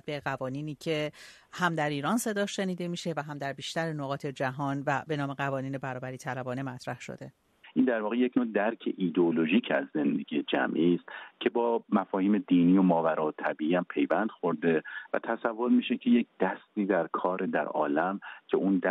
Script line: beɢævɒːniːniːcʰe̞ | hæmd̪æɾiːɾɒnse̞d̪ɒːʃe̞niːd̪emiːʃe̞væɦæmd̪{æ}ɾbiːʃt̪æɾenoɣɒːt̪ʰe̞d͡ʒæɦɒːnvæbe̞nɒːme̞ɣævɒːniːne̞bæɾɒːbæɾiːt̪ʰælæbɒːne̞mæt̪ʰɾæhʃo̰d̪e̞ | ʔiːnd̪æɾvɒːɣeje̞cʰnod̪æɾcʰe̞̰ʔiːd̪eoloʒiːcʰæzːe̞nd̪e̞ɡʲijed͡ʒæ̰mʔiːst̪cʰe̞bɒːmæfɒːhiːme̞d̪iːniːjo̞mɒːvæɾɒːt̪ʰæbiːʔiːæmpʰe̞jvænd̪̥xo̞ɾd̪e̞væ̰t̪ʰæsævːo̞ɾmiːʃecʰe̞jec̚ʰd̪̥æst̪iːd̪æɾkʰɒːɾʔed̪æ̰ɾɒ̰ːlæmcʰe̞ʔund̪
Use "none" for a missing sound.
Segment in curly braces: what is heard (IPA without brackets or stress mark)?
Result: æ